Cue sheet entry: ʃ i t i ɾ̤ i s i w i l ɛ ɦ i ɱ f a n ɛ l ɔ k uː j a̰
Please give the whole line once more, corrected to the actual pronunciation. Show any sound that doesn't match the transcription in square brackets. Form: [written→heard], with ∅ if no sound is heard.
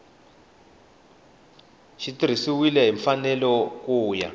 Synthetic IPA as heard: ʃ i t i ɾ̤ i s i w i l ɛ ɦ i ɱ f a n ɛ l ɔ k uː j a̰